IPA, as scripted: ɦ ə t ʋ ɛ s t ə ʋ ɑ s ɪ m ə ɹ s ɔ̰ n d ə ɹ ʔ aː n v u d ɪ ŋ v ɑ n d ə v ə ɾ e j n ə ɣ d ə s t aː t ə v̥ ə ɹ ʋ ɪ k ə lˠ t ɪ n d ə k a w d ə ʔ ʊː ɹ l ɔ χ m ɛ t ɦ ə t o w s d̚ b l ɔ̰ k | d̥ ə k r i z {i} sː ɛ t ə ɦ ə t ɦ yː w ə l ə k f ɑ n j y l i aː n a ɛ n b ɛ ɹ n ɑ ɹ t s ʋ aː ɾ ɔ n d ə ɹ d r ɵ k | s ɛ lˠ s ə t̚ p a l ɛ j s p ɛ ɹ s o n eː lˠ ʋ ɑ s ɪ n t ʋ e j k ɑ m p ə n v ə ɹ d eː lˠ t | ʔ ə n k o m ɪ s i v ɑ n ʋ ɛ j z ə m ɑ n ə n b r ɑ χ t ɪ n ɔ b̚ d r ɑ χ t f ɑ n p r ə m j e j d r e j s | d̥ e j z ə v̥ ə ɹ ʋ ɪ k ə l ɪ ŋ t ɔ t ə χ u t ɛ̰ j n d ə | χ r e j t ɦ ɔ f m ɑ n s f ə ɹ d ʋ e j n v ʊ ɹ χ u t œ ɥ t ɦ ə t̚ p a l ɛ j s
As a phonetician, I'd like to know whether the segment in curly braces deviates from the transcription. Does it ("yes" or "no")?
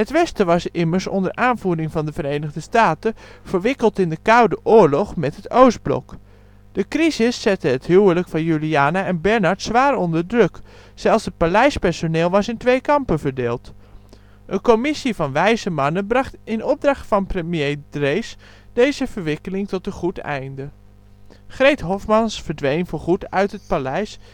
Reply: yes